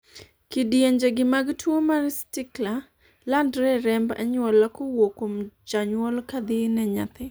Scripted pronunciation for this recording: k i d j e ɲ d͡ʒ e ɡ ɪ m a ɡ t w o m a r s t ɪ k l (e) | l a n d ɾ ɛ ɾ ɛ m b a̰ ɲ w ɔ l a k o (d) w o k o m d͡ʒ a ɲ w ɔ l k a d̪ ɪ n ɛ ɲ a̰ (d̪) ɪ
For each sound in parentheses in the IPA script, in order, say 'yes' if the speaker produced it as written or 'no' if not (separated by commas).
no, no, no